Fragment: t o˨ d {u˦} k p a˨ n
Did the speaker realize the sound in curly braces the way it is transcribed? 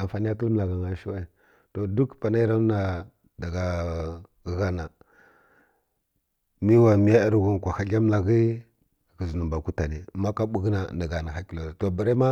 yes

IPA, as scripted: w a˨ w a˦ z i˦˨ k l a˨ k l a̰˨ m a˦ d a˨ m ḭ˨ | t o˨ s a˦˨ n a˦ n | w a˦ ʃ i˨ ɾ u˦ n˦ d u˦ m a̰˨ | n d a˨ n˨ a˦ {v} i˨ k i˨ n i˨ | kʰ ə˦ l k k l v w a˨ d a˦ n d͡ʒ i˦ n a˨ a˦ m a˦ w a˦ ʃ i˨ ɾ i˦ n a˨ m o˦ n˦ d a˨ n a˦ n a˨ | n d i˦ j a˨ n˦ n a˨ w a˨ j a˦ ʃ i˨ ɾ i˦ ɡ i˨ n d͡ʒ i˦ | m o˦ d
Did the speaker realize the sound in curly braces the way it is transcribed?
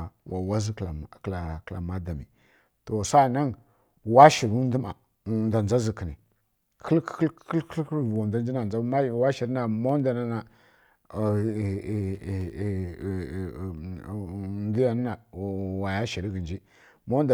no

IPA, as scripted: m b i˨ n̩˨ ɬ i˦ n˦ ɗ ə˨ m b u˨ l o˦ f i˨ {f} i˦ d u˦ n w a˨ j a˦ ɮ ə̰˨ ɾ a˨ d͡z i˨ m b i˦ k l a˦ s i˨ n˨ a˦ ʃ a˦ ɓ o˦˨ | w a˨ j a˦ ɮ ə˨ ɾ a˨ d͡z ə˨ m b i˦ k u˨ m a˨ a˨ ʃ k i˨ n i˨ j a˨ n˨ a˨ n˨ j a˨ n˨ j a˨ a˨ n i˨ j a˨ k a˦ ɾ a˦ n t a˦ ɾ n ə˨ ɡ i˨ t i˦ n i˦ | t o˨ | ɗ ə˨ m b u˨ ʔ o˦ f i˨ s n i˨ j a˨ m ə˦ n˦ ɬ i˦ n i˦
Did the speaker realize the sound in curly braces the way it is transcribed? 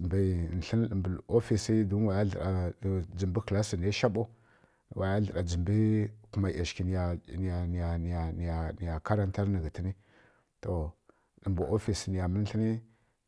no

